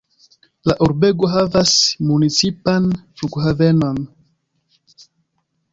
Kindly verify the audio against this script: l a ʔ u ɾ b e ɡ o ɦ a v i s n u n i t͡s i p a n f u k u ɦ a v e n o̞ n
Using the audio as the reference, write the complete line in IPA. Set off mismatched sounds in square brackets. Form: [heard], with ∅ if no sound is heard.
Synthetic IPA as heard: l a ʔ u ɾ b e ɡ o ɦ a v [a] s [m] u n i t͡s i p a n f u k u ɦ a v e n o̞ n